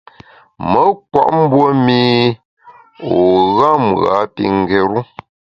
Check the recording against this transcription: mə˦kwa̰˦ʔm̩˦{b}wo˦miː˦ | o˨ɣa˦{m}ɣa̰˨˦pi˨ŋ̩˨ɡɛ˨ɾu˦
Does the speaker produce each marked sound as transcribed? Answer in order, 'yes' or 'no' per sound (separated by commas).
yes, yes